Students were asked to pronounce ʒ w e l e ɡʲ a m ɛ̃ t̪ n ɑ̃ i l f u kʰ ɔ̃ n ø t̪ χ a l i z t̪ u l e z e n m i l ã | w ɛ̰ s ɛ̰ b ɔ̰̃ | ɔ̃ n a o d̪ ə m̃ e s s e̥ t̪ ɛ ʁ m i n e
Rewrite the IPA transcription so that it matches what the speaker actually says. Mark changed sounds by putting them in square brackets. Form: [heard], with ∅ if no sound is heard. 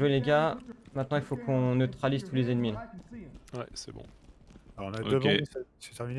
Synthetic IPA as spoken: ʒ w e l e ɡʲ a m ɛ̃ t̪ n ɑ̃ i l f [o] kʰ ɔ̃ n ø t̪ χ a l i z t̪ u l e z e n m i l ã | w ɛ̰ s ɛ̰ b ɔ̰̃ | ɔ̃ n a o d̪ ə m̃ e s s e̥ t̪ ɛ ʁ m i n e